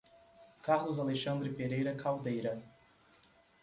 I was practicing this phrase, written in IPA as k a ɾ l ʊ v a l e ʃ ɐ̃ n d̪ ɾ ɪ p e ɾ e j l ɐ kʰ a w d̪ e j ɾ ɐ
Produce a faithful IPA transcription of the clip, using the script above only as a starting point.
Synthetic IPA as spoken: k a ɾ l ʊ z a l e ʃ ɐ̃ n d̪ ɾ ɪ p e ɾ e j ɾ ɐ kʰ a w d̪ e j ɾ ɐ